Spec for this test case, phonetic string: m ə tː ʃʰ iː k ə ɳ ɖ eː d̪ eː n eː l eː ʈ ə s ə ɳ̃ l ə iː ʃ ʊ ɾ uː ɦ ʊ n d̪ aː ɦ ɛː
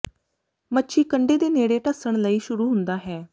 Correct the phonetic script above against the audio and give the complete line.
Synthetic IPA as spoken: m ə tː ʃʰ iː k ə ɳ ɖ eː d̪ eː n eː ɽ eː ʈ ə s ə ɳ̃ l ə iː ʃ ʊ ɾ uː ɦ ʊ n d̪ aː ɦ ɛː